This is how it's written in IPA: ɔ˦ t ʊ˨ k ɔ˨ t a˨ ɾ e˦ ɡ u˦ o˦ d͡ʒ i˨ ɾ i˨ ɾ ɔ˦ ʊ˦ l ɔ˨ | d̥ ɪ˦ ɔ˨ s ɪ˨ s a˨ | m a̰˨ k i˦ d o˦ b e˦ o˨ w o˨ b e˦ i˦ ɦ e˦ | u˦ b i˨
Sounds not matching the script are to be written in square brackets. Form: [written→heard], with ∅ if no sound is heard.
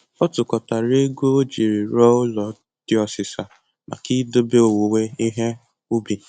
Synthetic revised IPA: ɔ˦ t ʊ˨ k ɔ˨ t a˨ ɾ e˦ ɡ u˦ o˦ d͡ʒ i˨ ɾ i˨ ɾ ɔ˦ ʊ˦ l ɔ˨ | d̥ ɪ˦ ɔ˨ s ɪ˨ s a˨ | m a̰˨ k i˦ d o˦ b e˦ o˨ w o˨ [b→w] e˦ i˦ ɦ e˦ | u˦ b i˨